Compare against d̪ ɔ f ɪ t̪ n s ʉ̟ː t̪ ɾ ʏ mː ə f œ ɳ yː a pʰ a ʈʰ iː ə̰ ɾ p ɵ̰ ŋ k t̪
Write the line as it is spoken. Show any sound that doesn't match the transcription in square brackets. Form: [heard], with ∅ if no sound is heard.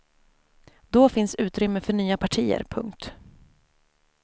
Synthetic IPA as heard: d̪ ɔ f ɪ [∅] n s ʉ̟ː t̪ ɾ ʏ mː ə f œ ɳ yː a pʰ a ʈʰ iː ə̰ ɾ [pʰ] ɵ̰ ŋ k t̪